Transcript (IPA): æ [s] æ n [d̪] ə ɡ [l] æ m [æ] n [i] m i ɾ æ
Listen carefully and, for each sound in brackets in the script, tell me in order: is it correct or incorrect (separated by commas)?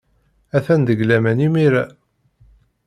incorrect, correct, correct, correct, correct